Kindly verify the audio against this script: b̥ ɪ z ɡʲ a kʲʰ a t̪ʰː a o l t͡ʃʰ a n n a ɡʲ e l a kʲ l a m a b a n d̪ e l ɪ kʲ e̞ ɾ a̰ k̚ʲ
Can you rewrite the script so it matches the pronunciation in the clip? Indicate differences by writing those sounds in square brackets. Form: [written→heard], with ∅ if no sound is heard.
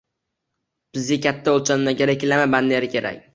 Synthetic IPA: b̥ ɪ z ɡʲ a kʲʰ a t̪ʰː a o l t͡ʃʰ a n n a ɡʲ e [l→ɾ] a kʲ l a m a b a n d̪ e [l→ɾ] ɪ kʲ e̞ ɾ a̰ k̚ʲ